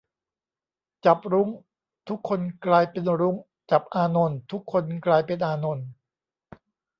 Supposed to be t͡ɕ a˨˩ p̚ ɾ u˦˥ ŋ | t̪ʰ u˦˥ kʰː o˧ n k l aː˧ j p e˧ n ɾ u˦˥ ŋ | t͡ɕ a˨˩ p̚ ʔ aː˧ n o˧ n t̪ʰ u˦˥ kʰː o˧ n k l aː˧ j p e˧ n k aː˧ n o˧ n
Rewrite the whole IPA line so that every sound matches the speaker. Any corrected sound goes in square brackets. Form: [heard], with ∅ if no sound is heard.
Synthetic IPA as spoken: t͡ɕ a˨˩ p̚ ɾ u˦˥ ŋ | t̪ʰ u˦˥ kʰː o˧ n k l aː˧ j p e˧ n ɾ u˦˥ ŋ | t͡ɕ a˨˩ p̚ ʔ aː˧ n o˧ n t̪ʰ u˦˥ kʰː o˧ n k l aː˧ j p e˧ n [ʔ] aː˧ n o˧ n

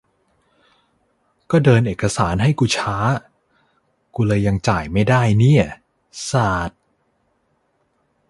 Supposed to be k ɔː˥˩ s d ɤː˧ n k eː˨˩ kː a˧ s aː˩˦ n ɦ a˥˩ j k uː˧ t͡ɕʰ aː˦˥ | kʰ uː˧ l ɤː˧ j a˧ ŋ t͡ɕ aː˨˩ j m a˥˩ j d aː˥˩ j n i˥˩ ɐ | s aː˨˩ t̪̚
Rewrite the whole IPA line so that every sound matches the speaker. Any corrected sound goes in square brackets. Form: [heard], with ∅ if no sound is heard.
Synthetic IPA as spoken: k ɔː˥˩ [∅] d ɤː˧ n [ʔ] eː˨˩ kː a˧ s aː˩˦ n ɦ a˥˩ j k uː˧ t͡ɕʰ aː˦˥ | [k] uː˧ l ɤː˧ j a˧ ŋ t͡ɕ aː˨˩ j m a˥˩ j d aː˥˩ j n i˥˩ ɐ | s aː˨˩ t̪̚

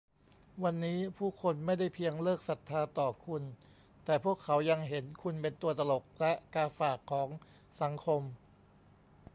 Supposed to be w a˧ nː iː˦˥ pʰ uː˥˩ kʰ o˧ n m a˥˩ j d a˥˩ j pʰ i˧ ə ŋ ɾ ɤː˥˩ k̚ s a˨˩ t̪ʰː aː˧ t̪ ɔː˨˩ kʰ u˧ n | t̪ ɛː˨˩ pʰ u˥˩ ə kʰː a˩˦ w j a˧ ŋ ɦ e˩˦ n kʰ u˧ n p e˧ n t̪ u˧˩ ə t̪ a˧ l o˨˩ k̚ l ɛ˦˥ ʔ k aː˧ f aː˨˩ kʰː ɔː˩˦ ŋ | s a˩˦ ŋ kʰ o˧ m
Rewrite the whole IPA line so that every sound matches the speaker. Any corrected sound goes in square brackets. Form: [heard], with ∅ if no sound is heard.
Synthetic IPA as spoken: w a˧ nː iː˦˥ pʰ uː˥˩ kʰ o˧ n m a˥˩ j d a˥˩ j pʰ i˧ ə ŋ [l] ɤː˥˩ k̚ s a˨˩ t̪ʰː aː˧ t̪ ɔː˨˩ kʰ u˧ n | t̪ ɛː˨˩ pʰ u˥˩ ə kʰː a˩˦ w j a˧ ŋ ɦ e˩˦ n kʰ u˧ n p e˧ n t̪ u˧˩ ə t̪ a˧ l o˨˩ k̚ l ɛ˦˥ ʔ k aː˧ f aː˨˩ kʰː ɔː˩˦ ŋ | s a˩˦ ŋ kʰ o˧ m

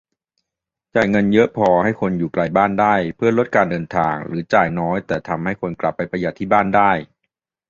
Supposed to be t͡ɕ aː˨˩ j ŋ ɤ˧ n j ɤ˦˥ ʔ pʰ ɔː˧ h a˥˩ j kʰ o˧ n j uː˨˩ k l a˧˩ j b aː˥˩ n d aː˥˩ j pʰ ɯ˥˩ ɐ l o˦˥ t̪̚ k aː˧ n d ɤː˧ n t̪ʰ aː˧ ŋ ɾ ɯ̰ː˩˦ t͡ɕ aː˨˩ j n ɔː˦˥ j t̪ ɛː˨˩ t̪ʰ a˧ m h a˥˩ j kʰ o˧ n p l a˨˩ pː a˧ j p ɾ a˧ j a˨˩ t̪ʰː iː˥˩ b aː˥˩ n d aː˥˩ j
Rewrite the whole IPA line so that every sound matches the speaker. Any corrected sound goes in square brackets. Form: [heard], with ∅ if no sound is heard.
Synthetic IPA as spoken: t͡ɕ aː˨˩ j ŋ ɤ˧ n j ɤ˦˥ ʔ pʰ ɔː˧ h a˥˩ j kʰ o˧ n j uː˨˩ k l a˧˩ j b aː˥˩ n d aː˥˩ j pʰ ɯ˥˩ ɐ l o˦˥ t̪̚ k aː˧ n d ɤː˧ n t̪ʰ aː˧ ŋ ɾ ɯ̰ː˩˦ t͡ɕ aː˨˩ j n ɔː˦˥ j t̪ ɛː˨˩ t̪ʰ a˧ m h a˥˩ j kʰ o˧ n [k] l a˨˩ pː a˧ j p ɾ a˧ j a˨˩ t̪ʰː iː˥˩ b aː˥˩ n d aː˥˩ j

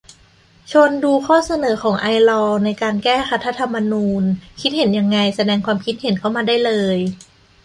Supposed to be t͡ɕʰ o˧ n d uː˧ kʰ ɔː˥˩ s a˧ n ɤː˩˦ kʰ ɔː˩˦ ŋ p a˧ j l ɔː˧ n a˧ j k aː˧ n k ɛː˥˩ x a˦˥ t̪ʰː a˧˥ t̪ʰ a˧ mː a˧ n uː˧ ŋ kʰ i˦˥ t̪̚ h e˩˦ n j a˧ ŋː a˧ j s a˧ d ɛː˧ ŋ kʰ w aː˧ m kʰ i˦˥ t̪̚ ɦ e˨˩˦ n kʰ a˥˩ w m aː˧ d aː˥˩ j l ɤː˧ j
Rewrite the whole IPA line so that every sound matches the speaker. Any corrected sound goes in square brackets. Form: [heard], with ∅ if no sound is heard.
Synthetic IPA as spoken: t͡ɕʰ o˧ n d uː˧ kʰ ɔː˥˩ s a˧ n ɤː˩˦ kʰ ɔː˩˦ ŋ [ʔ] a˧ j l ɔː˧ n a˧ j k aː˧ n k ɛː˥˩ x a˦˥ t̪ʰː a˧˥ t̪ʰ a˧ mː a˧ n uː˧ [n] kʰ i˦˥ t̪̚ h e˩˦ n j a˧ ŋː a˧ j s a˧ d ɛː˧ ŋ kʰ w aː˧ m kʰ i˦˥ t̪̚ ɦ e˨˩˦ n kʰ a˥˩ w m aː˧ d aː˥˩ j l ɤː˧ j

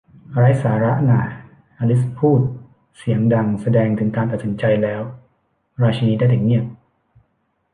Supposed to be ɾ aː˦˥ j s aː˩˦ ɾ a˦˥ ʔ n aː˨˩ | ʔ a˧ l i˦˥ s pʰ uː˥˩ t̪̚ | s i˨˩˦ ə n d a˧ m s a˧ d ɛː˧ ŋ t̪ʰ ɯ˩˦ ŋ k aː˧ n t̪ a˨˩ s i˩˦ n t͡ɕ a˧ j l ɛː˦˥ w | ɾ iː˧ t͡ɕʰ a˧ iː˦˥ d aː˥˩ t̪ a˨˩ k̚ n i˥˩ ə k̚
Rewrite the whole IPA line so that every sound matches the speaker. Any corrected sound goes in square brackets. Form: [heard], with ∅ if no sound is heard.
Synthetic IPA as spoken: ɾ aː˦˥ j s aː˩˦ ɾ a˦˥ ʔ n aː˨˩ | ʔ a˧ l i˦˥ s pʰ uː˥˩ t̪̚ | s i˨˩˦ ə [ŋ] d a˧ [ŋ] s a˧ d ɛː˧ ŋ t̪ʰ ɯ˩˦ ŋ k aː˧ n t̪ a˨˩ s i˩˦ n t͡ɕ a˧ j l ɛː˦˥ w | ɾ [aː˧] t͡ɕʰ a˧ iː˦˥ d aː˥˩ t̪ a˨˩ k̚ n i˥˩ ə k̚

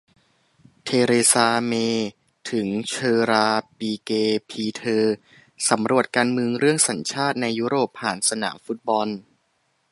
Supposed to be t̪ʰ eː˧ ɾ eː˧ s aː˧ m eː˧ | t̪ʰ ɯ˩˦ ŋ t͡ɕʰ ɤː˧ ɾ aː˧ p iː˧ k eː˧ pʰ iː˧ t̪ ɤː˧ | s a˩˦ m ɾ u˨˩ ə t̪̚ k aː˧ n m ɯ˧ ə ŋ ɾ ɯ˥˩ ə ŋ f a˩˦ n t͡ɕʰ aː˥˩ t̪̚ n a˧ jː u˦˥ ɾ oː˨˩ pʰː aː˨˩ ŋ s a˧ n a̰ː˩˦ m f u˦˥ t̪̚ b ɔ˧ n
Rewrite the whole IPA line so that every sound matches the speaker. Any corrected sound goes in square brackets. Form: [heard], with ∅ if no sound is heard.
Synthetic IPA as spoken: t̪ʰ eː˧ ɾ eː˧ s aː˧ m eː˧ | t̪ʰ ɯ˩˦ ŋ t͡ɕʰ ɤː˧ ɾ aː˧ p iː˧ k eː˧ pʰ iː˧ [t̪ʰ] ɤː˧ | s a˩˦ m ɾ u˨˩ ə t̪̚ k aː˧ n m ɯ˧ ə ŋ ɾ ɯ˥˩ ə ŋ [s] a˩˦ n t͡ɕʰ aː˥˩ t̪̚ n a˧ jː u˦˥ ɾ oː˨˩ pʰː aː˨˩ [n] s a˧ n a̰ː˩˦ m f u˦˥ t̪̚ b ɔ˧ n

